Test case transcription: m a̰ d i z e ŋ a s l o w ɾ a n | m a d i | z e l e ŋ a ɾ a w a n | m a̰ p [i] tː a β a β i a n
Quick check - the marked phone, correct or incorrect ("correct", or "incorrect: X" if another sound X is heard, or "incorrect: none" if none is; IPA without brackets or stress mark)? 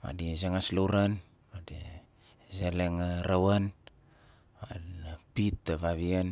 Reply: correct